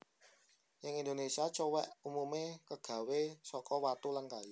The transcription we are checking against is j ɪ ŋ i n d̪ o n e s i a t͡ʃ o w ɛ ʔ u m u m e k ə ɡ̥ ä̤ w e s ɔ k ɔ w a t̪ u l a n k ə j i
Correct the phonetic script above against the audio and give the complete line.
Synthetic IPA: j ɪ ŋ i n d̪ o n e s i a t͡ʃ o w ɛ ʔ u m u m e k ə ɡ̥ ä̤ w e s ɔ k ɔ w a t̪ u l a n k a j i